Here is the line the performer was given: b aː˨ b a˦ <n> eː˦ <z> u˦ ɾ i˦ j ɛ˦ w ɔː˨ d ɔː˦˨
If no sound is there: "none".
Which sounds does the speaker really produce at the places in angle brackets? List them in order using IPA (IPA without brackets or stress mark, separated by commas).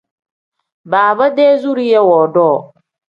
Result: d, z